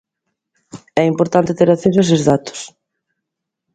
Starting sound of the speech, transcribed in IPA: ɛ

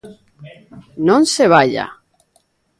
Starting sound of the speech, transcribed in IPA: n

